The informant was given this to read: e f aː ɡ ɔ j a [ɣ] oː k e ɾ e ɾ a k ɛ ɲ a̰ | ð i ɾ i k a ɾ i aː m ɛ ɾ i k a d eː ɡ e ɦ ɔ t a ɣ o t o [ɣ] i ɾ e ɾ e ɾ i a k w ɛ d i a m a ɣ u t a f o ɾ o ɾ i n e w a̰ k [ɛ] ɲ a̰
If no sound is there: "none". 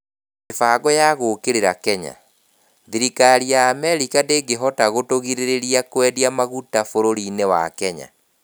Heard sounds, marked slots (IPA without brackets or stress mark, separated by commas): ɣ, ɣ, ɛ